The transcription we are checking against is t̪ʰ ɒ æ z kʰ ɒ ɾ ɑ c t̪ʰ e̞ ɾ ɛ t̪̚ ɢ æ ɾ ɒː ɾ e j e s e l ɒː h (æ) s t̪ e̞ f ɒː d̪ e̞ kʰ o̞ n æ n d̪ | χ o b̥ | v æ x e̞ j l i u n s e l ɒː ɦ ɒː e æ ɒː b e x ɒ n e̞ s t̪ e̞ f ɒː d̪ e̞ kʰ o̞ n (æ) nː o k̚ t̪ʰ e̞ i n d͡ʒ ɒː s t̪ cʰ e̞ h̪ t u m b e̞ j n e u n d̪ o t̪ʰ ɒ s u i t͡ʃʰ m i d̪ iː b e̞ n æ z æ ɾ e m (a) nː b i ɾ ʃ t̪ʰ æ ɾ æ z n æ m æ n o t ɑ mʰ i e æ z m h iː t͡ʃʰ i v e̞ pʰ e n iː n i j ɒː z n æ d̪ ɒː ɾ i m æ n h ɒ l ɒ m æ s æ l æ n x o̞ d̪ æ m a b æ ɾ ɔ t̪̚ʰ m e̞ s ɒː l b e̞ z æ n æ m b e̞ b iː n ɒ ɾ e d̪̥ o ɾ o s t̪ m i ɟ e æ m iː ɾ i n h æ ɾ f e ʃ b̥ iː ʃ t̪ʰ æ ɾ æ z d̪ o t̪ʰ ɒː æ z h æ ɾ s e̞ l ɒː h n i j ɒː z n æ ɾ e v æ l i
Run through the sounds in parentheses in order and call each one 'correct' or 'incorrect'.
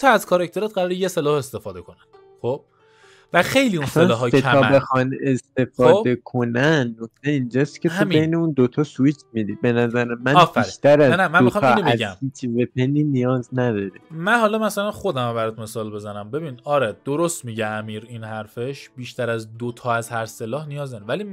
incorrect: e, correct, incorrect: æ

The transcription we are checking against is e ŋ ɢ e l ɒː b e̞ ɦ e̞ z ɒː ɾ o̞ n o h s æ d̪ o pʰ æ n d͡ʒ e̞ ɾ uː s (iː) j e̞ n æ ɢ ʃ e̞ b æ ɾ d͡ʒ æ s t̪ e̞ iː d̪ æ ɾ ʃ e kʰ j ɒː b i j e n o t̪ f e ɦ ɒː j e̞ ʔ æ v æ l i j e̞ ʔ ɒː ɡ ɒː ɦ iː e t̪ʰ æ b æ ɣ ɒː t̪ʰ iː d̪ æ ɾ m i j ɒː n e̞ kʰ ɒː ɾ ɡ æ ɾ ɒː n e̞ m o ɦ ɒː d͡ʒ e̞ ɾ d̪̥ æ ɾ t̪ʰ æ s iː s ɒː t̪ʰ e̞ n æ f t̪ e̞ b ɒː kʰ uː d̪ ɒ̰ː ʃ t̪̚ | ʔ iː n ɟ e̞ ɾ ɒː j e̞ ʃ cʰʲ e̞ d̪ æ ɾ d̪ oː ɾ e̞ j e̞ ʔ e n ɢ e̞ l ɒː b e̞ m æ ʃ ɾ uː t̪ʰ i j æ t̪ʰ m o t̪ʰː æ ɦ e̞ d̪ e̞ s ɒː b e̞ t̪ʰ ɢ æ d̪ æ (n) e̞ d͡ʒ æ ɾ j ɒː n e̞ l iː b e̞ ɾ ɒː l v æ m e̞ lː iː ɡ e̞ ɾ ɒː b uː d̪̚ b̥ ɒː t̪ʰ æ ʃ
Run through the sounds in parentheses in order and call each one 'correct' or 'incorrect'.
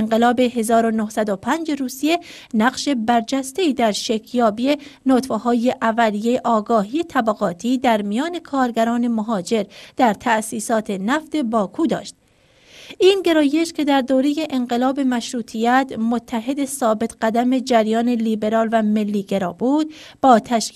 incorrect: i, incorrect: m

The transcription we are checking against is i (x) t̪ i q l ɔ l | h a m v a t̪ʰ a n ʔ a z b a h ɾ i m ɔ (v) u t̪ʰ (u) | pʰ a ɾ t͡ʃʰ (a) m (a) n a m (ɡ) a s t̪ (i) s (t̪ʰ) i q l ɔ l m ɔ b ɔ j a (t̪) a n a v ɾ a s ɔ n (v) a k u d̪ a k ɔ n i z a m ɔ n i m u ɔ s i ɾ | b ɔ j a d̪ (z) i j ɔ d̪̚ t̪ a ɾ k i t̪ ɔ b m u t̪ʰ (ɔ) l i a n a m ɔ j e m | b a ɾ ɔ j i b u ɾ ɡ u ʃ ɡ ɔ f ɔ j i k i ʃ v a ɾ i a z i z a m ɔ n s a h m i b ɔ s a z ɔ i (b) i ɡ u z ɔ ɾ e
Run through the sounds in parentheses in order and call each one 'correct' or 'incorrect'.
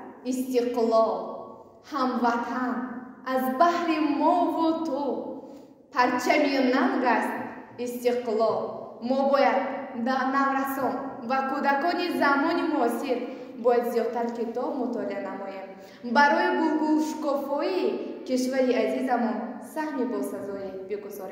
incorrect: s, correct, correct, correct, incorrect: i, correct, correct, incorrect: t̪, incorrect: d̪, correct, correct, correct, correct

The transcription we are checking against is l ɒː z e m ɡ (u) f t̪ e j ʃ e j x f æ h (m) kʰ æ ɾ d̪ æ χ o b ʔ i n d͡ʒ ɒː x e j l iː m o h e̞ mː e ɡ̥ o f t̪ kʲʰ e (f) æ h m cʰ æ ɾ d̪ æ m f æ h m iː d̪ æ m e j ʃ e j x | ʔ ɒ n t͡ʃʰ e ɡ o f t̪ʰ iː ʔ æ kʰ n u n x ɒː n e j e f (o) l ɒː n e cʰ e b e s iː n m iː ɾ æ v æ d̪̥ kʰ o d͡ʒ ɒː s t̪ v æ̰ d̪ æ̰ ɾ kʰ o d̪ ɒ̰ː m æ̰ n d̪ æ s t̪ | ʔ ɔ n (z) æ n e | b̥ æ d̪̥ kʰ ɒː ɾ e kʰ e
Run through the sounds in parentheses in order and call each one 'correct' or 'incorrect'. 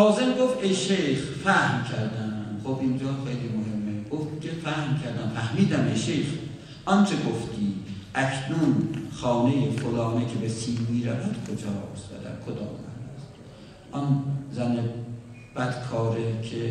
incorrect: o, correct, correct, correct, correct

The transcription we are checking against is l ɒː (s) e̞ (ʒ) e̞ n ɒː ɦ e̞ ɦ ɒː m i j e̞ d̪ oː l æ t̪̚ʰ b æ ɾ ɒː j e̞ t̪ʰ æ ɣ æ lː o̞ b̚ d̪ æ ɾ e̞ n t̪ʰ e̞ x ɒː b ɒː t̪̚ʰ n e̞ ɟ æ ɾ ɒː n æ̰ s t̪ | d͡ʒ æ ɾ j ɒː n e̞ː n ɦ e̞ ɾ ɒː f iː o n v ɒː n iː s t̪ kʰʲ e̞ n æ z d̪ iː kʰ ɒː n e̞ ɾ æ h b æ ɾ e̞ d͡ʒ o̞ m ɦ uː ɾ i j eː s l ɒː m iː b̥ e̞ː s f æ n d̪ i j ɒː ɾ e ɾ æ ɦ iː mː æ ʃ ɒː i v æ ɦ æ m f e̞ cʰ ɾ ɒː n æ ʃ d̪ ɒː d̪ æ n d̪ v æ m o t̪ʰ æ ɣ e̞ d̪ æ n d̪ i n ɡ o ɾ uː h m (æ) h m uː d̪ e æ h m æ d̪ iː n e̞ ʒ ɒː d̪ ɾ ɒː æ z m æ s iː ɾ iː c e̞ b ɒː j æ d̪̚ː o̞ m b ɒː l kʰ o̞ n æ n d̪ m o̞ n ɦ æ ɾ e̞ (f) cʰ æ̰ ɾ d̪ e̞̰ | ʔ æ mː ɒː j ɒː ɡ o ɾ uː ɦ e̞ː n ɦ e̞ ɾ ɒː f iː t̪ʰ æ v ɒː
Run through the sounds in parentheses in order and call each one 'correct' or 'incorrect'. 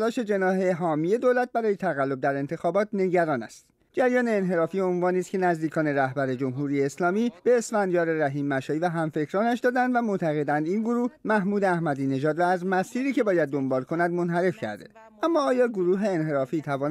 incorrect: ʃ, incorrect: d͡ʒ, correct, correct

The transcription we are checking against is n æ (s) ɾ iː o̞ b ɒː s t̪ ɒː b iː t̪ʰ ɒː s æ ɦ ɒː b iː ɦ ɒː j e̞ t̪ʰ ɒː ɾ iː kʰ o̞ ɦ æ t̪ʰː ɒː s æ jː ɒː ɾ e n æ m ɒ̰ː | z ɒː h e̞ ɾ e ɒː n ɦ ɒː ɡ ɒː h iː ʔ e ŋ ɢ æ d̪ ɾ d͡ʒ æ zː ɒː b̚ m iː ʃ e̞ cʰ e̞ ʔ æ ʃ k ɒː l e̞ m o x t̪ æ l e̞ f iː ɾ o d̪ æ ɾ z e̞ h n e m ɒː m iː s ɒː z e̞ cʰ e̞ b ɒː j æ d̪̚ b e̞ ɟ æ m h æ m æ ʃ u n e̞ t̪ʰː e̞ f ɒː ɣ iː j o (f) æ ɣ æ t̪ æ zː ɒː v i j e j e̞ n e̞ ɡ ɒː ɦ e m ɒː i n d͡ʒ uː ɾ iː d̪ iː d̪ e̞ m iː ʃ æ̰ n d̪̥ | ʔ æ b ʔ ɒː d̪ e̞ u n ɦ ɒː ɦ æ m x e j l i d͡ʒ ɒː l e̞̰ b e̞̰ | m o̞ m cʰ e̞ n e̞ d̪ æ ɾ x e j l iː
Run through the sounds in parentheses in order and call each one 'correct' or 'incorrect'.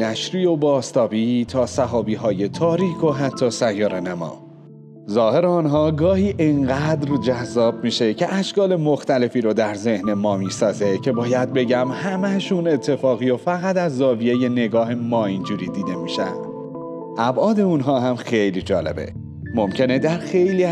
incorrect: ʃ, correct

